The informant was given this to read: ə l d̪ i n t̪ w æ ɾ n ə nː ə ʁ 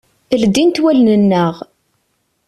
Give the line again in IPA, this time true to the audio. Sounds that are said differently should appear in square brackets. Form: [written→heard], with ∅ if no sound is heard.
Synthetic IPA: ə l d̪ i n t̪ w æ [ɾ→l] n ə nː ə ʁ